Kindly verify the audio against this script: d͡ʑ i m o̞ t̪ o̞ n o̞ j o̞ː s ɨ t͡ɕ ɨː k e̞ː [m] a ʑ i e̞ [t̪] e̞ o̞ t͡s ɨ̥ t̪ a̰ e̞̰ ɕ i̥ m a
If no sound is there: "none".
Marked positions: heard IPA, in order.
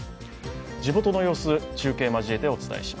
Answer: m, t̪

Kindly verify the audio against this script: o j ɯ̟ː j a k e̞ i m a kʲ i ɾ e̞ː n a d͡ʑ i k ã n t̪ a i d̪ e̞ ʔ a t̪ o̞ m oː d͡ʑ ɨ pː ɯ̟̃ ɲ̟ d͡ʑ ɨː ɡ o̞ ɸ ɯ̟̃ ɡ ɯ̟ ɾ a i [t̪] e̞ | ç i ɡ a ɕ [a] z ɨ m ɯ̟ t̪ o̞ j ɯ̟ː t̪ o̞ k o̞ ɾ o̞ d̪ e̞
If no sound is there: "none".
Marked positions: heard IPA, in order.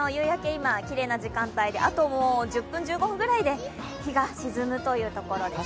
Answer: d̪, i

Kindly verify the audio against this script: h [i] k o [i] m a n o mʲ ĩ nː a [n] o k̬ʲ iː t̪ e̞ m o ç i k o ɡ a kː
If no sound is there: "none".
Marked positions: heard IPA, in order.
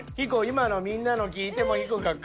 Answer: i, i, n

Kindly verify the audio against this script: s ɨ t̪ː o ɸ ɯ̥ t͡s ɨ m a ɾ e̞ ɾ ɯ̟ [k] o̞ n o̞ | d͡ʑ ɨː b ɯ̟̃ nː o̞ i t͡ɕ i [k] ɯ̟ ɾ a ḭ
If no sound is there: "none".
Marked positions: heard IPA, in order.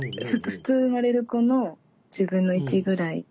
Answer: k, ɡ

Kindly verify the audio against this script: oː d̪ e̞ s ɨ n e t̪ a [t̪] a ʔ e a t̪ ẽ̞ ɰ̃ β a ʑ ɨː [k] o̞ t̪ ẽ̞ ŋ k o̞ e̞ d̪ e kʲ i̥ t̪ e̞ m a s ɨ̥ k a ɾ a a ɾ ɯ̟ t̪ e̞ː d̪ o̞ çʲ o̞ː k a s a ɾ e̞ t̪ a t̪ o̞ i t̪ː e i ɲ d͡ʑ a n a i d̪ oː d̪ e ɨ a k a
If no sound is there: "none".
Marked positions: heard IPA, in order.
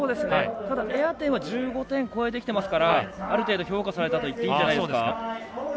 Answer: d̪, ɡ

